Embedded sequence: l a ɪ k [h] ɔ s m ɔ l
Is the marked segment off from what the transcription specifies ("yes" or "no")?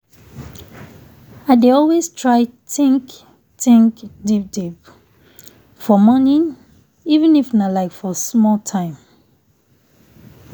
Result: yes